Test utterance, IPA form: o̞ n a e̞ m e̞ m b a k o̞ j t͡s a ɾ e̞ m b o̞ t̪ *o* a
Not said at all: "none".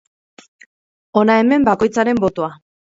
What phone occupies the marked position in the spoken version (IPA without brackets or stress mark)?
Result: o